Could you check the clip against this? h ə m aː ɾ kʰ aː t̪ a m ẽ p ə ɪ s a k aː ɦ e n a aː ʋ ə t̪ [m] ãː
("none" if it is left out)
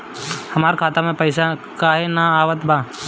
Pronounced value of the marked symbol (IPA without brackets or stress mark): b